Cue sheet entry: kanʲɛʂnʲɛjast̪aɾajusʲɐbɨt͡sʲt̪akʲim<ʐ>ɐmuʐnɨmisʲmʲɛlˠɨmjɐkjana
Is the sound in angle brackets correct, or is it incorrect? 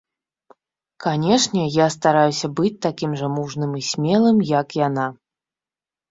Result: correct